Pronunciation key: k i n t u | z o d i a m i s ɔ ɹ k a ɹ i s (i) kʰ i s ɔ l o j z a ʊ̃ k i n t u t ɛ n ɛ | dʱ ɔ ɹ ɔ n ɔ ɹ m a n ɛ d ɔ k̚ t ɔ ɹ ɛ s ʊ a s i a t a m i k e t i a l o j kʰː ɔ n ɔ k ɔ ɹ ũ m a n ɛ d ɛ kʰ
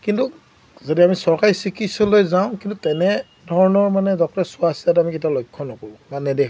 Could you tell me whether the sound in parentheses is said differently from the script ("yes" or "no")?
no